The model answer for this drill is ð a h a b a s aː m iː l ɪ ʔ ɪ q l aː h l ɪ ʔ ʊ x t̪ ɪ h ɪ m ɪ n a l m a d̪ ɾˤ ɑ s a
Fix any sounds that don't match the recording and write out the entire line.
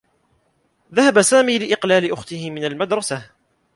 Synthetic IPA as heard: ð a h a b a s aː m iː l ɪ ʔ ɪ q l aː l ɪ ʔ ʊ x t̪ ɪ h ɪ m ɪ n a l m a d̪ ɾˤ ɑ s a